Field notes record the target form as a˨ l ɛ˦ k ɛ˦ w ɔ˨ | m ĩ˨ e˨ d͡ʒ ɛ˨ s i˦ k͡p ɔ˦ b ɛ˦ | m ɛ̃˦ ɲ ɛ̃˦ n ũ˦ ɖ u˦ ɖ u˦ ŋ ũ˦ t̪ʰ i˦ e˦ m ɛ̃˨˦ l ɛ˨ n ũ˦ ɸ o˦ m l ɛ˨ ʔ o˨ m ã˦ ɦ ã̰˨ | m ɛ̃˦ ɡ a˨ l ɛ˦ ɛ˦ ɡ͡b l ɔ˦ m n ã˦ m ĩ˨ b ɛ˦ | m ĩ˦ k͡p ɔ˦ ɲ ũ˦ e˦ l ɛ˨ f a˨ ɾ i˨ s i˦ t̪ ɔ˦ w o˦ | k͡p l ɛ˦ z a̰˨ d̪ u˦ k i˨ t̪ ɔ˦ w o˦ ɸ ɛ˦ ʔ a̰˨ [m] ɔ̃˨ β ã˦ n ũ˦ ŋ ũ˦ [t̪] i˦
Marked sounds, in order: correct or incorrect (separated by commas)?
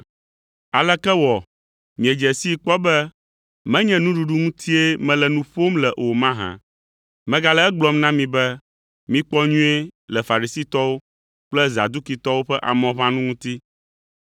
correct, correct